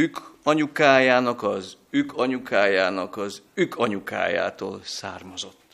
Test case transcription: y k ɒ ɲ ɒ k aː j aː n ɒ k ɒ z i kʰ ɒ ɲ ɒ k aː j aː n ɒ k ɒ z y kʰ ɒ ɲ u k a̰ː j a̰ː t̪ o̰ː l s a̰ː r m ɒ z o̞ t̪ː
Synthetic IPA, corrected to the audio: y k ɒ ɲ u k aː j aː n ɒ k ɒ z y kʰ ɒ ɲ u k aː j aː n ɒ k ɒ z y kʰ ɒ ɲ u k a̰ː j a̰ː t̪ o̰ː l s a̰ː r m ɒ z o̞ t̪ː